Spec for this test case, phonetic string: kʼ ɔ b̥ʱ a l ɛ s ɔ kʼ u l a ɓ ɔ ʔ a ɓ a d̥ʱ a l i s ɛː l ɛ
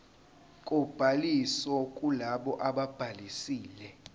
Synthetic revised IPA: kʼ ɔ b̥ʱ a l i s ɔ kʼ u l a ɓ ɔ ʔ a ɓ a b̥ʱ a l i s iː l ɛ